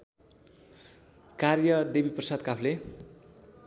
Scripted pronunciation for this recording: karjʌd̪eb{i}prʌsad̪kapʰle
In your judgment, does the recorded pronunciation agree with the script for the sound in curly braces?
yes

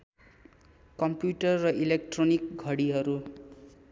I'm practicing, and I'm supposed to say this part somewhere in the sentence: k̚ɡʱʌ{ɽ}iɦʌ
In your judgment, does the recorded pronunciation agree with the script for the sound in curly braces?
yes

